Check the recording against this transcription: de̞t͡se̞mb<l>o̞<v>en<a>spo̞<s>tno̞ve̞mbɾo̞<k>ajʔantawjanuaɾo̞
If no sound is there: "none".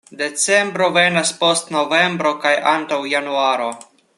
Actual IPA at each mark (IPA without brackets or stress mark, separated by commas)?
ɾ, v, a, s, k